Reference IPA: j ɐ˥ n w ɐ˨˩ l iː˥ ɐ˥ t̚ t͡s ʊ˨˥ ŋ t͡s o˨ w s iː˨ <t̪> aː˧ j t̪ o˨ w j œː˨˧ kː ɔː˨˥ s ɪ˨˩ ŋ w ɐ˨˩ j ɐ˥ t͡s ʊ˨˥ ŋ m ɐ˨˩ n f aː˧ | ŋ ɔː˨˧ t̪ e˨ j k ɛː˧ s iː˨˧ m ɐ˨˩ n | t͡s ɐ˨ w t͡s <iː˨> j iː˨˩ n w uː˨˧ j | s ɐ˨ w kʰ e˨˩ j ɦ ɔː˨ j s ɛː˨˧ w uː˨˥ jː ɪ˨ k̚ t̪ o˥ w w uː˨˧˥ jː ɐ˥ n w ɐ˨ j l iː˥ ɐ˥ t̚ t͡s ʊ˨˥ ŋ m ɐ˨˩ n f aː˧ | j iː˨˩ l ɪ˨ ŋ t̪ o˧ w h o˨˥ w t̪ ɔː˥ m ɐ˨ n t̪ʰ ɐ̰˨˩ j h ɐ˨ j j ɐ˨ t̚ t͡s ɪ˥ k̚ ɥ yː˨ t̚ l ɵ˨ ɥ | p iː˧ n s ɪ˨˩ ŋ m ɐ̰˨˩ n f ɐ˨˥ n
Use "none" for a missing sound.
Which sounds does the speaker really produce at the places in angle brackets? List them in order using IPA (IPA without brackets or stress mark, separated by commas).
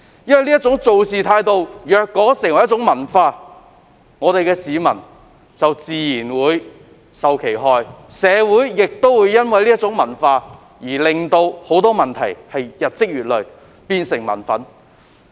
t̪ʰ, iː˨